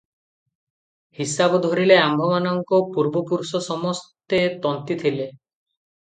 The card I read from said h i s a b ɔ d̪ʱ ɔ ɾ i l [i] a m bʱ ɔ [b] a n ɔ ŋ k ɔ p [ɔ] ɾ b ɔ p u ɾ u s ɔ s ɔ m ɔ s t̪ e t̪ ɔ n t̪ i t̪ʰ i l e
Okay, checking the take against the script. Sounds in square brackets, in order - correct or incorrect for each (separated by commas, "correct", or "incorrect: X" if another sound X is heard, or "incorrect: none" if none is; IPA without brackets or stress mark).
incorrect: e, incorrect: m, incorrect: u